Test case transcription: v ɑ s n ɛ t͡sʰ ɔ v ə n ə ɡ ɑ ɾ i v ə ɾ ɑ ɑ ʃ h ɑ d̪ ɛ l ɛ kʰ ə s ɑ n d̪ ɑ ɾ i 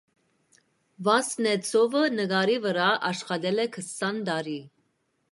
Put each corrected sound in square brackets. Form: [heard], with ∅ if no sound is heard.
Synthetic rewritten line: v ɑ s n ɛ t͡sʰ ɔ v ə n ə ɡ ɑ ɾ i v ə ɾ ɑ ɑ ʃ [χ] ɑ d̪ ɛ l ɛ kʰ ə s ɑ n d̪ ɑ ɾ i